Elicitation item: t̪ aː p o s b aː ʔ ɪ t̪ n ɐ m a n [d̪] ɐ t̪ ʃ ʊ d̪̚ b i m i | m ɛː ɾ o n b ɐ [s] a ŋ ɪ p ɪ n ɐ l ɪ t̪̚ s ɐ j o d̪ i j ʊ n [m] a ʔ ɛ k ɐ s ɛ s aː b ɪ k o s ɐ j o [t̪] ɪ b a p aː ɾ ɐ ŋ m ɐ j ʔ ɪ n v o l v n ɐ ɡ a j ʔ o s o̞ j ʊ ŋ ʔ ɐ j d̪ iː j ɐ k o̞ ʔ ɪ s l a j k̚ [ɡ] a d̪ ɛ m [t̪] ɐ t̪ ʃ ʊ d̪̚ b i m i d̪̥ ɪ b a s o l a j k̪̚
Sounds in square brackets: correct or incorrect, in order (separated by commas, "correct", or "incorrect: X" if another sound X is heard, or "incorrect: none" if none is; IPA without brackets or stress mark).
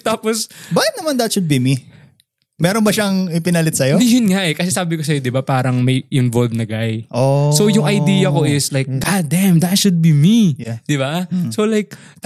correct, incorrect: ʃ, incorrect: ŋ, incorrect: d̪, correct, incorrect: d̪